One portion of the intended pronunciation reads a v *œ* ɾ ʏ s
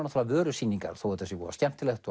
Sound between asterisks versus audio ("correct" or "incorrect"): incorrect